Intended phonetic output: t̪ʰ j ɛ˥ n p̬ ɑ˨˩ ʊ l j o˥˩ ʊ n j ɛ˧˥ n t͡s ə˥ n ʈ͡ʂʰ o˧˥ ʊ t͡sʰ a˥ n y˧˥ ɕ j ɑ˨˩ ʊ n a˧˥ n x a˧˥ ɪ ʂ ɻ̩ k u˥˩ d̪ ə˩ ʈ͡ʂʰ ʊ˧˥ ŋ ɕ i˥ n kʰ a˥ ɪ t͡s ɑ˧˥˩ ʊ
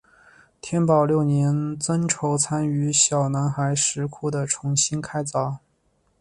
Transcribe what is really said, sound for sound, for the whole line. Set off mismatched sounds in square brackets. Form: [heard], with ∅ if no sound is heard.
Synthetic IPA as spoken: t̪ʰ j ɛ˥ n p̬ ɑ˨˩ ʊ l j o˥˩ ʊ n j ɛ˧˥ n t͡s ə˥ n ʈ͡ʂʰ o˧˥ ʊ t͡sʰ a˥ n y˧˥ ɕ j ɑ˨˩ ʊ n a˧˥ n x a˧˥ ɪ ʂ ɻ̩ [kʰ] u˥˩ d̪ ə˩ ʈ͡ʂʰ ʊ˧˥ ŋ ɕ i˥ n kʰ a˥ ɪ t͡s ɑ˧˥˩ ʊ